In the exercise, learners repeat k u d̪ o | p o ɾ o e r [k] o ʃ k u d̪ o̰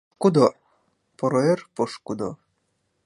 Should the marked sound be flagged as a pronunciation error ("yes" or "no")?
yes